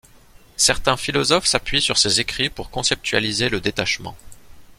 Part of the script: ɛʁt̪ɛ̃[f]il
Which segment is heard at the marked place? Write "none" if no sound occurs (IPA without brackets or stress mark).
f